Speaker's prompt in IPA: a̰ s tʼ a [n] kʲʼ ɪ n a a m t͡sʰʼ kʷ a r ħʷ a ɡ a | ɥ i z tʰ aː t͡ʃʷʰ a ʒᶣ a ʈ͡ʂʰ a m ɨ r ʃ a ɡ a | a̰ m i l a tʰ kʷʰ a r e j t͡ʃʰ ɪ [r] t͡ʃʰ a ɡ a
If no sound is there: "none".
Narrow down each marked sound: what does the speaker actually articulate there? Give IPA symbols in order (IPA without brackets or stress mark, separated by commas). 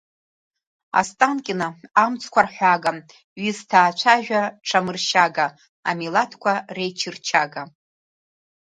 n, r